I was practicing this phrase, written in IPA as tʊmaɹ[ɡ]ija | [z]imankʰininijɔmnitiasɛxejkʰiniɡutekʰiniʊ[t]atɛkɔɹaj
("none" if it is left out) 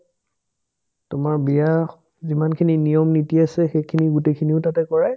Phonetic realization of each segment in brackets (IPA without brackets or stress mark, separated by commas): b, z, t